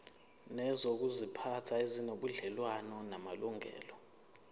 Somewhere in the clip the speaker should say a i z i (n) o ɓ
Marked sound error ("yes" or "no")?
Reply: no